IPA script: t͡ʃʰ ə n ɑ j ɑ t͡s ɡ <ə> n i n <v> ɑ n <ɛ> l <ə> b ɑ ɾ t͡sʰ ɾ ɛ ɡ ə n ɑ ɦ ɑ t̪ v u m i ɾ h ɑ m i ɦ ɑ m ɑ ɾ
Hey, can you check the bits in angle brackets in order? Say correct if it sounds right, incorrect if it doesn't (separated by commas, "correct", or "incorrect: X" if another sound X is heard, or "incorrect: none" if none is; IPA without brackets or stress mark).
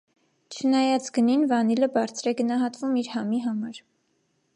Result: correct, correct, incorrect: i, correct